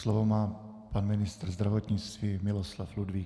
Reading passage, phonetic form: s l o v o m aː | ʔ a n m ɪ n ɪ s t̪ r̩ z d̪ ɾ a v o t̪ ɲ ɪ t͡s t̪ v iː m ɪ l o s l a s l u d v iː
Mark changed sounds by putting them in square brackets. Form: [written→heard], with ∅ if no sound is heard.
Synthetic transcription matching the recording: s l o v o m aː | [ʔ→p] a n m ɪ n ɪ s t̪ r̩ z d̪ ɾ a v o t̪ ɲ ɪ t͡s t̪ v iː m ɪ l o s l a [s→f] l u d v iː